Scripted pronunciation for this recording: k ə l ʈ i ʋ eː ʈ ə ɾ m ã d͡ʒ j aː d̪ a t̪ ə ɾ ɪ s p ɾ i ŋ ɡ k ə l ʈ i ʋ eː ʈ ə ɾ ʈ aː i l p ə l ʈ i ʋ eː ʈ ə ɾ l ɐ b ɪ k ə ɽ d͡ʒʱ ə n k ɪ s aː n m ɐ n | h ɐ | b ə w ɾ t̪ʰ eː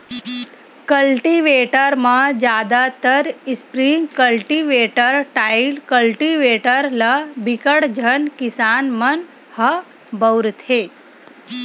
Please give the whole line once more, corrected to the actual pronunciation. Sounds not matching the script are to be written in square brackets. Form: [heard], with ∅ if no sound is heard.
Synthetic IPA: k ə l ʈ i ʋ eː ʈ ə ɾ m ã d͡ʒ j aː d̪ a t̪ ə ɾ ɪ s p ɾ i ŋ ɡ k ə l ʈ i ʋ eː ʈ ə ɾ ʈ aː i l [k] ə l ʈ i ʋ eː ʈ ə ɾ l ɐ b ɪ k ə ɽ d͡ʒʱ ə n k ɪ s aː n m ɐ n | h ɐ | b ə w ɾ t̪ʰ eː